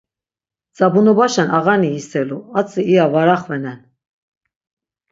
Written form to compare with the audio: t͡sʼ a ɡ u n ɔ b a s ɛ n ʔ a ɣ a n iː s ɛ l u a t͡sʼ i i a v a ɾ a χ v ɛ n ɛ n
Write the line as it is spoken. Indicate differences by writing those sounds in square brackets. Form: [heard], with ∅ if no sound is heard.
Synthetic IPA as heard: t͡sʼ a [b] u n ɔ b a [ʃ] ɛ n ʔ a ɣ a n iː s ɛ l u a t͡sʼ i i a v a ɾ a χ v ɛ n ɛ n